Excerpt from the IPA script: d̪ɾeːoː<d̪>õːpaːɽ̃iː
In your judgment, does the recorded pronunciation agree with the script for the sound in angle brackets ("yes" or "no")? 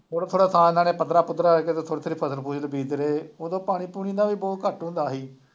yes